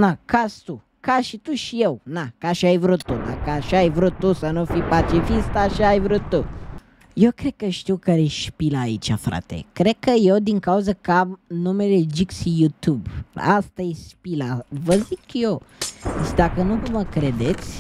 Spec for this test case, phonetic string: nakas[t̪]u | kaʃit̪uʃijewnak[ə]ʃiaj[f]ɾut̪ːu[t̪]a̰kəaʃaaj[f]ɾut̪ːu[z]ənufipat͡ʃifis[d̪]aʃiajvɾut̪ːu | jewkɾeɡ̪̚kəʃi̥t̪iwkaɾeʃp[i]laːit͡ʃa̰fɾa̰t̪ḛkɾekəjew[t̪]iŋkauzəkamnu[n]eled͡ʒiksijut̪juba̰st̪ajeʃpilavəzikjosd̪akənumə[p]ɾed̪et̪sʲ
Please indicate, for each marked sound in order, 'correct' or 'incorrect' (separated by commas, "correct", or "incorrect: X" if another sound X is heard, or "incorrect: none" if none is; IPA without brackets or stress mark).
correct, incorrect: a, incorrect: v, incorrect: d̪, incorrect: v, incorrect: s, incorrect: t̪, correct, incorrect: d̪, incorrect: m, incorrect: k